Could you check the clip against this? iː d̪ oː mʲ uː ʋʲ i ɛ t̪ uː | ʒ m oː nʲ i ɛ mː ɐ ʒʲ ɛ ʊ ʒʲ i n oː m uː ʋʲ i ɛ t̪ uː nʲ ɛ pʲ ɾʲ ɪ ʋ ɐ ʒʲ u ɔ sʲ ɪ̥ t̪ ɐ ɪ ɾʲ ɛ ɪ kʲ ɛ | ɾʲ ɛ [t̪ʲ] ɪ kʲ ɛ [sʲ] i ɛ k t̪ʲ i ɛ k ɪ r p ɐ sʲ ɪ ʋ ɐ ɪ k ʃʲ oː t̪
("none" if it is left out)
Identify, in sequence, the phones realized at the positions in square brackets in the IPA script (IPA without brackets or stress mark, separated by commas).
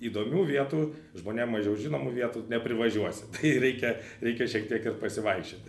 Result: none, ʃʲ